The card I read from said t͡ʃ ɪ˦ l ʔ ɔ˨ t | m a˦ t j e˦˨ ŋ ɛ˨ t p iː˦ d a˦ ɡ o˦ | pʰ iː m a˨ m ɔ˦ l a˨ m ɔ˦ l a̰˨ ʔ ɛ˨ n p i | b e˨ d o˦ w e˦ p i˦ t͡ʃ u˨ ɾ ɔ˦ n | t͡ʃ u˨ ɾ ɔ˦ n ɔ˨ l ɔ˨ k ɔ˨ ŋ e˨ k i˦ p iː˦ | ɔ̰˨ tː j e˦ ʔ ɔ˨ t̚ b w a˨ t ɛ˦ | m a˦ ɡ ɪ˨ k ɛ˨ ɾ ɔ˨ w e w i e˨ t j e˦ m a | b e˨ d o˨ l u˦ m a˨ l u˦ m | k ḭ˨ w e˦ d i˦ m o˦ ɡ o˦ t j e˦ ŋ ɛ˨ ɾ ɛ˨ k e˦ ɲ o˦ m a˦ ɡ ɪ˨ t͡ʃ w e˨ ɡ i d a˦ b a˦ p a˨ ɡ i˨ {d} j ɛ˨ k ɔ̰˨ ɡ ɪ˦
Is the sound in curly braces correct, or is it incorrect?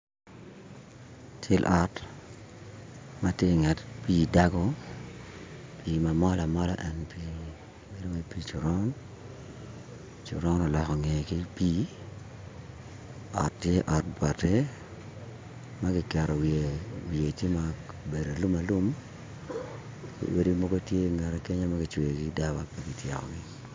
incorrect